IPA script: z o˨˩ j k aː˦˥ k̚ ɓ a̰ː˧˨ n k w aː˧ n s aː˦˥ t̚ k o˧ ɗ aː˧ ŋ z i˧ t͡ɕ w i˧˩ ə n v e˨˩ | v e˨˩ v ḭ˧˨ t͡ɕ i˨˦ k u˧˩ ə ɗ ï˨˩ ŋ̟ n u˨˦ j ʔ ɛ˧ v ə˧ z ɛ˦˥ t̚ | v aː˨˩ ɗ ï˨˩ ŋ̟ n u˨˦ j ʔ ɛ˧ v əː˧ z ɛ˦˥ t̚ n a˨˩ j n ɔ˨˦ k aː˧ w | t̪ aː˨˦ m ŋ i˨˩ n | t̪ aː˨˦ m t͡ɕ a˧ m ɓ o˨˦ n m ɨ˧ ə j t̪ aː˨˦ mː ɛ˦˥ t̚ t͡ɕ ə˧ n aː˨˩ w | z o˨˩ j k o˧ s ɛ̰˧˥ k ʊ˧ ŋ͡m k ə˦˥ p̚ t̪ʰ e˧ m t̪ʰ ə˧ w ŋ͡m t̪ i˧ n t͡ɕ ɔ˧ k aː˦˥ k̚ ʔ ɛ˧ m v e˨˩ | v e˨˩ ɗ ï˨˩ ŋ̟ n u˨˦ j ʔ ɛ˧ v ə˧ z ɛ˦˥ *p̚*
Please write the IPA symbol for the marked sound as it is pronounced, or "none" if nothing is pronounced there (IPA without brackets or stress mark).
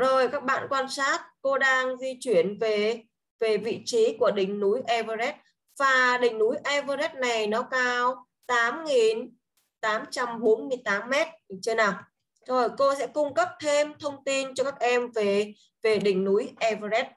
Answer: t̚